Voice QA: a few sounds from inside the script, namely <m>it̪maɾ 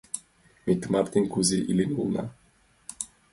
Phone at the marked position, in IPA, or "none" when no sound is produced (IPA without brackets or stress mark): m